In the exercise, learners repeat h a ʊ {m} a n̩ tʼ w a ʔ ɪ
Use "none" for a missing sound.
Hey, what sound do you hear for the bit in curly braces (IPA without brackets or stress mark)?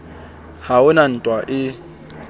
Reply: n